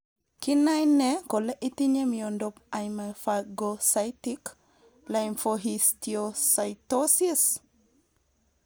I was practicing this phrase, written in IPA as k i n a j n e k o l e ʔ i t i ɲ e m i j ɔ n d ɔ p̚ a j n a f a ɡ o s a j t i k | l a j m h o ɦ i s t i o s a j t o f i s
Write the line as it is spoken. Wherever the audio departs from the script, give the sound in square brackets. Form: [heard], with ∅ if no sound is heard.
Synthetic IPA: k i n a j n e k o l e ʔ i t i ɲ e m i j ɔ n d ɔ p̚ a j [m] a f a ɡ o s a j t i k | l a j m [f] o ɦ i s t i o s a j t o [s] i s